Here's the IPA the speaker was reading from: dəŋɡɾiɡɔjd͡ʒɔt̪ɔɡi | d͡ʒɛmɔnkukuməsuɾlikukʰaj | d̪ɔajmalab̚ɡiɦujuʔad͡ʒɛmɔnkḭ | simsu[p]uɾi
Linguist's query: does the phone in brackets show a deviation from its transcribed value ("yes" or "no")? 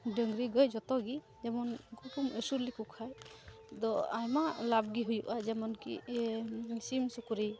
yes